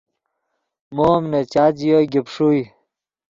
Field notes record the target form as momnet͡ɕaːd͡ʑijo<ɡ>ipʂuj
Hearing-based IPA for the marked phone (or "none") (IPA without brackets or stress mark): ɡ